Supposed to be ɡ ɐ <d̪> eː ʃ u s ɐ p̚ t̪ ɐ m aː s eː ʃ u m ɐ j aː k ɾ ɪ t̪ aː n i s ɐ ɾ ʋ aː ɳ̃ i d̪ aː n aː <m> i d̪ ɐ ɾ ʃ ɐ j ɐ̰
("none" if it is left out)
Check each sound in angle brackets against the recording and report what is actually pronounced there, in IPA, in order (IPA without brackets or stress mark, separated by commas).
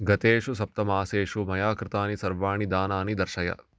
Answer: t̪, n